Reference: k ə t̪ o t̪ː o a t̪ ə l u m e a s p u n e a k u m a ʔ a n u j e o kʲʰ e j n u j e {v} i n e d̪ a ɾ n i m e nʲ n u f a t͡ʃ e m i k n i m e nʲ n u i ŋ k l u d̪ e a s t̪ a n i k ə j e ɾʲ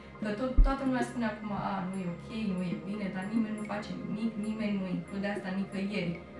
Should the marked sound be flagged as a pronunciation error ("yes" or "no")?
yes